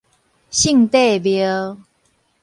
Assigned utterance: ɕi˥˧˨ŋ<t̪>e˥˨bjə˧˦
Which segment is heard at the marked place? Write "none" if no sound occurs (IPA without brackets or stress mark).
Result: t̪